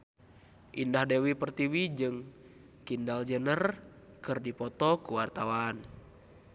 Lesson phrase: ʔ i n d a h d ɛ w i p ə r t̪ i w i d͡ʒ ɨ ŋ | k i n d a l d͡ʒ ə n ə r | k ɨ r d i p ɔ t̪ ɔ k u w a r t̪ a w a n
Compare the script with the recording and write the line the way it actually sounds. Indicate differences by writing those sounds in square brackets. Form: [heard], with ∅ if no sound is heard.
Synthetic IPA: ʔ i n d a h d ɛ w i p ə r t̪ i w i d͡ʒ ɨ ŋ | k i n d a l d͡ʒ ə n ə r | k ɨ r d i p ɔ t̪ ɔ k u w a r t̪ a w a n